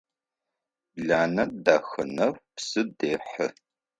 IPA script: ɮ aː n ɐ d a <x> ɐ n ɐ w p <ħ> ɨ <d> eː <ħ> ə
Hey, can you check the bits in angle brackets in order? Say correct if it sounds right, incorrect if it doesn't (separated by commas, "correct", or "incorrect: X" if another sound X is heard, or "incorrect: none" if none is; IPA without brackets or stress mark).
correct, incorrect: s, correct, correct